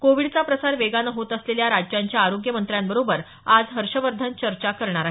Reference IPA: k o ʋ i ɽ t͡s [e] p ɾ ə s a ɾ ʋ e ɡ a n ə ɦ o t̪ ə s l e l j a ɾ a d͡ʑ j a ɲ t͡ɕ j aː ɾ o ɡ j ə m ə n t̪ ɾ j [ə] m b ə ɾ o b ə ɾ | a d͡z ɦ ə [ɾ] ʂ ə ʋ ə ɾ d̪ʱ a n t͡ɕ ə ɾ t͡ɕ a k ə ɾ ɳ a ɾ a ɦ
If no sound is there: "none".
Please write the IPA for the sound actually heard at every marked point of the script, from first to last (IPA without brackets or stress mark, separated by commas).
a, a, ɾ